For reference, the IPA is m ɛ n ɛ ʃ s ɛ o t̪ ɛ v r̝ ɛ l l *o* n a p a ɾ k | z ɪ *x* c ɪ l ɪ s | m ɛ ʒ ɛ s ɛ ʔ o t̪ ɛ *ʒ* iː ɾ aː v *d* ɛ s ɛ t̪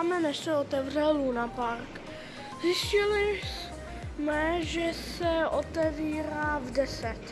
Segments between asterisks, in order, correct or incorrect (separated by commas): incorrect, incorrect, incorrect, correct